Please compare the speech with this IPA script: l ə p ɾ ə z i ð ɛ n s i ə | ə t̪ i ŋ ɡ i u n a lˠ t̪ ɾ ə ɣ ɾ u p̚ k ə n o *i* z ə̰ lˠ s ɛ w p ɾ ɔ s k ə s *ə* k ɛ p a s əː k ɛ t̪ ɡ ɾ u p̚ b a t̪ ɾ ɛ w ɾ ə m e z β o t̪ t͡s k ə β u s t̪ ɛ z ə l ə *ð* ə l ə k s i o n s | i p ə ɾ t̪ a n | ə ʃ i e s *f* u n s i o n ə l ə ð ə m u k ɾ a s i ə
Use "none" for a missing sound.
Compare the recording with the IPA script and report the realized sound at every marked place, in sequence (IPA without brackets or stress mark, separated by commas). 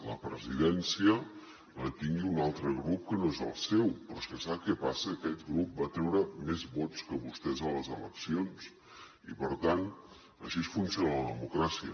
e, a, z, f